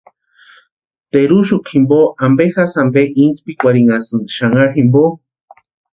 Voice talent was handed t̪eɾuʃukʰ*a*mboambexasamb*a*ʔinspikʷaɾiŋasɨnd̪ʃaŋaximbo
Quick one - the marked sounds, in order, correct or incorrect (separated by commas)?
incorrect, incorrect